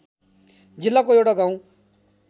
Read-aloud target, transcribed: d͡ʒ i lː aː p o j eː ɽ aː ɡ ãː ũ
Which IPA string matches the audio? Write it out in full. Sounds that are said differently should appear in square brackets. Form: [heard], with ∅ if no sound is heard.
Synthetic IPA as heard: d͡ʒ [ɪ] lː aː [k] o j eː ɽ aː ɡ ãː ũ

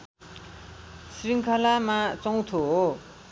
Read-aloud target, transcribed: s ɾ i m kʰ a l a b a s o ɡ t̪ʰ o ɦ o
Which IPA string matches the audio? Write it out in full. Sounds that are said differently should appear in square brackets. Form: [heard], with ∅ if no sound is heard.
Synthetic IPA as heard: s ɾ i [ŋ] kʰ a l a [m] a [t͡s] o [ŋ] t̪ʰ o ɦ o

